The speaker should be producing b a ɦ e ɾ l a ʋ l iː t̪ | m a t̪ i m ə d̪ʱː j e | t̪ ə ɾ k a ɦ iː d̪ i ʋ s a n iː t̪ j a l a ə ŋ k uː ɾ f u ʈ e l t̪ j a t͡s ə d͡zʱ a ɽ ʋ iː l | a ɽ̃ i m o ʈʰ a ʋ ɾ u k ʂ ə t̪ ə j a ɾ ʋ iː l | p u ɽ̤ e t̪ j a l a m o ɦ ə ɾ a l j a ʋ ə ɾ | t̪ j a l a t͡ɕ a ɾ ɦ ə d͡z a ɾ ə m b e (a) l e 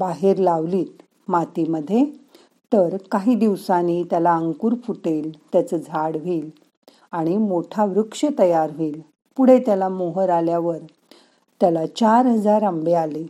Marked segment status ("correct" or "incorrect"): correct